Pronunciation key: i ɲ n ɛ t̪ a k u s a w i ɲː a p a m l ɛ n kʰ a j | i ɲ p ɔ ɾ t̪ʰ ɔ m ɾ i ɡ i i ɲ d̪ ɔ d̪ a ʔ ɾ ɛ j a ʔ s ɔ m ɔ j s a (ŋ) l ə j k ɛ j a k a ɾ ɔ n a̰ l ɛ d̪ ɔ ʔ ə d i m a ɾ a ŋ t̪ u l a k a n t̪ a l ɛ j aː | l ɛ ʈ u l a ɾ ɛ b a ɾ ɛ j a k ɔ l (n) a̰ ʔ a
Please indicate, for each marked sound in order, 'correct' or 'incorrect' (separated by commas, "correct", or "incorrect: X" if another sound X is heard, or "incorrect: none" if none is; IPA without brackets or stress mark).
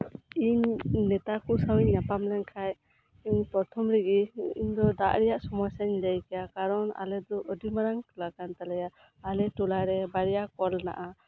incorrect: ɲ, correct